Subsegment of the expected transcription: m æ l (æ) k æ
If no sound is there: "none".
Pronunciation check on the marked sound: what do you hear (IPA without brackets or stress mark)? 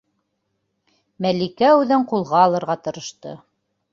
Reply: i